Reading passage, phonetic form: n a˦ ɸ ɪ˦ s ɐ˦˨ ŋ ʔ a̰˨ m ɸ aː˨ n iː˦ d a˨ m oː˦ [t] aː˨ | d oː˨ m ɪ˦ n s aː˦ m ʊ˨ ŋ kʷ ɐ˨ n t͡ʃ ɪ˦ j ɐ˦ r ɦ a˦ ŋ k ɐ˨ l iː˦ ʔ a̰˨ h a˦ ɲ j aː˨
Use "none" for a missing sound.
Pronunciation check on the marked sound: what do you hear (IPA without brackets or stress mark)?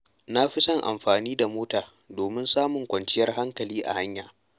t